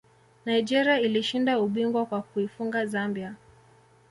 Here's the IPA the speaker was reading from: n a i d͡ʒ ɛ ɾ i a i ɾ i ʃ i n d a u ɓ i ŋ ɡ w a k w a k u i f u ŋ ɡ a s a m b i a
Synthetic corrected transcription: n a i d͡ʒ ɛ ɾ i a i l i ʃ i n d a u ɓ i ŋ ɡ w a k w a k u i f u ŋ ɡ a z a m b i a